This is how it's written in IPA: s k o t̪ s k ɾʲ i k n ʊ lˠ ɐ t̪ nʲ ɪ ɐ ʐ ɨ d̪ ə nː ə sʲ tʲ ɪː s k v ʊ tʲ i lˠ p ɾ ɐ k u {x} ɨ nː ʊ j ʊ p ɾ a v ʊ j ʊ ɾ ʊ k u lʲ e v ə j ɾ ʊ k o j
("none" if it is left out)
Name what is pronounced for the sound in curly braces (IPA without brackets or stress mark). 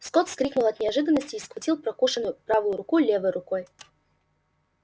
ʂ